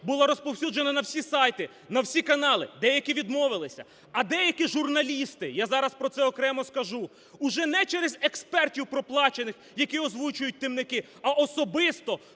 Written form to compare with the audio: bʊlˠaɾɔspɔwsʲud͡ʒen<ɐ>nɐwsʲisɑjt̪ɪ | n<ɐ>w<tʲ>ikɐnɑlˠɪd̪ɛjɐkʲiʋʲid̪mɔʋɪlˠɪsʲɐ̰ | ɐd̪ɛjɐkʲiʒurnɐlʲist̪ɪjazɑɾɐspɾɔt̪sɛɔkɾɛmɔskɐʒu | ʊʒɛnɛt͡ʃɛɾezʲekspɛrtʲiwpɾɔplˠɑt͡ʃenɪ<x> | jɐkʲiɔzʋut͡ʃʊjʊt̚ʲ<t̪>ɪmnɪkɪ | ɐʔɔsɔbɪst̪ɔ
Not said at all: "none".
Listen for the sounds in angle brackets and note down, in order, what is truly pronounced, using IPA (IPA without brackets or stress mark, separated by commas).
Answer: ɐ, ɐ, sʲ, x, t̪